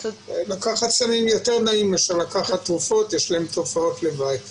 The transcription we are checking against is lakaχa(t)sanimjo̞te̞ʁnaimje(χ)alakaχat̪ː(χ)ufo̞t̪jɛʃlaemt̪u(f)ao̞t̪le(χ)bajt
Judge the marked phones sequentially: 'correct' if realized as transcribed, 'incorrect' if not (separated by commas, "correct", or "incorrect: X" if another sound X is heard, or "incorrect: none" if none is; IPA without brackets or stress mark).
correct, incorrect: ʃ, incorrect: ʁ, correct, incorrect: none